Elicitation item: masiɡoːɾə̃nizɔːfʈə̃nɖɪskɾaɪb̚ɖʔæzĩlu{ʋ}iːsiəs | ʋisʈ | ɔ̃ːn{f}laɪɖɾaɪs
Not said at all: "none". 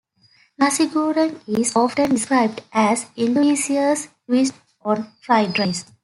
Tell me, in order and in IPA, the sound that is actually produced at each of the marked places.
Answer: none, f

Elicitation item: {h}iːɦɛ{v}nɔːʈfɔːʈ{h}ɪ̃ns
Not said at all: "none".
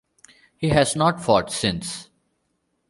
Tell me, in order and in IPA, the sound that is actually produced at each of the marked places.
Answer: h, z, s

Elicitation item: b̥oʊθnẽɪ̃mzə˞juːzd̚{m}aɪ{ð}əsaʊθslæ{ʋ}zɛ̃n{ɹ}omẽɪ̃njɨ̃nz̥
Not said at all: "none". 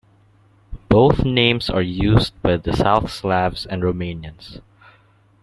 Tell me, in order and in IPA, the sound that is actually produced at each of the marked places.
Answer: b, ð, v, ɹ

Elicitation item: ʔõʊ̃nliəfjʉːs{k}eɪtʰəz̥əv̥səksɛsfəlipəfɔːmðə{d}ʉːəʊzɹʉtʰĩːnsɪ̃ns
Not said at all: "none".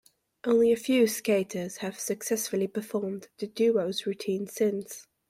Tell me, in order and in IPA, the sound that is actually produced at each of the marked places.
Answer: k, d

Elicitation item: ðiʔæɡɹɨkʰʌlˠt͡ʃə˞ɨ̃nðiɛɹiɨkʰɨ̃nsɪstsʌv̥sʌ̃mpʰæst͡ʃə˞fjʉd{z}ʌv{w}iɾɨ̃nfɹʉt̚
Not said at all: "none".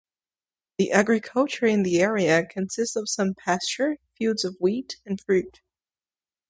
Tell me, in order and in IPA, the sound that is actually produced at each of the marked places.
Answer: z, w

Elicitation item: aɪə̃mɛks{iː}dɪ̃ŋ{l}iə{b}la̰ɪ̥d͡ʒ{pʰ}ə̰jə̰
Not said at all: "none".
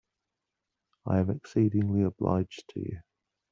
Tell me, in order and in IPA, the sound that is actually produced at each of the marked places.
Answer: iː, l, b, tʰ

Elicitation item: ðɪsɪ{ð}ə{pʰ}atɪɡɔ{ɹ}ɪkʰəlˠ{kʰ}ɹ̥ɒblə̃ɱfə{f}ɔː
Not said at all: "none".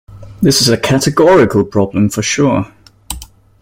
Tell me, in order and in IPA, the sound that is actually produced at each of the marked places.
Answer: z, kʰ, ɹ, pʰ, ʃ

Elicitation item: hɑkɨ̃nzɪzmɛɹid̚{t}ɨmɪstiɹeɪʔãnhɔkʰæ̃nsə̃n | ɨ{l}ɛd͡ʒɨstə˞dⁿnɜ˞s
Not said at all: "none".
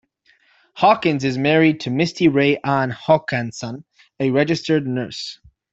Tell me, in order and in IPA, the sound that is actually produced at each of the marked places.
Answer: tʰ, ɹ

